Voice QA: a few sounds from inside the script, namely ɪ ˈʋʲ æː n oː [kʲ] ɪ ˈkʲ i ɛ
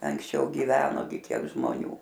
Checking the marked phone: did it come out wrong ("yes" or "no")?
yes